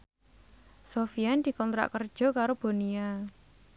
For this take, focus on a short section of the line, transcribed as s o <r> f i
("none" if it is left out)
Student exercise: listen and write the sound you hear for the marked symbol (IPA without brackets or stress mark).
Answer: none